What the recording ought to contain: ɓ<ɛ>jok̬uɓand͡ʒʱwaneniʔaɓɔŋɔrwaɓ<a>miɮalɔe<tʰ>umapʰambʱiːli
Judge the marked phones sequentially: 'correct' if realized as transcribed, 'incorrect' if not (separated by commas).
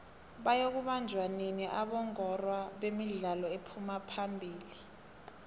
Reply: incorrect, incorrect, incorrect